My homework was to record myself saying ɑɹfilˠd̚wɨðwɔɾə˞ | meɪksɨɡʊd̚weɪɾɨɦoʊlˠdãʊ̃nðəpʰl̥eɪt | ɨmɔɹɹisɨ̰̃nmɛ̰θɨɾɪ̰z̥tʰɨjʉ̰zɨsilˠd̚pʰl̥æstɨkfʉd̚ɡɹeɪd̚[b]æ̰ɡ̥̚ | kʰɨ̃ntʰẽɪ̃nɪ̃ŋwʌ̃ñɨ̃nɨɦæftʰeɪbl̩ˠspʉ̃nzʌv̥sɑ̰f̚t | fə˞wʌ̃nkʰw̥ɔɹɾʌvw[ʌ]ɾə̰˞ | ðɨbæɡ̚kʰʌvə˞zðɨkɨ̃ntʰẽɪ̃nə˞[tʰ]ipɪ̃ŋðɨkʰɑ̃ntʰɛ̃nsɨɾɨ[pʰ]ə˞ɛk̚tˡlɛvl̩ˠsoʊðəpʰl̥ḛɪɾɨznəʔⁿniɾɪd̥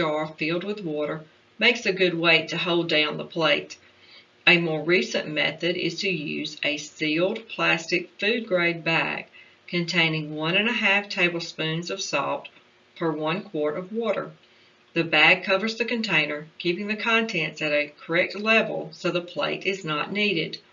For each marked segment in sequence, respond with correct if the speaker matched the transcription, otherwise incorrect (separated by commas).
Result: correct, incorrect, incorrect, incorrect